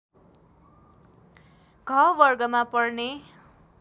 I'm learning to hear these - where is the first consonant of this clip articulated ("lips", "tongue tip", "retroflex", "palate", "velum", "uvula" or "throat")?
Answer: velum